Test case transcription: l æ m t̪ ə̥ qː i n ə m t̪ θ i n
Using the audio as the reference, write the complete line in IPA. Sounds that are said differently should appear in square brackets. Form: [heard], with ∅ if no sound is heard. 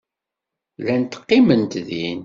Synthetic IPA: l æ [n] t̪ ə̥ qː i [m] ə [n] t̪ [ð] i n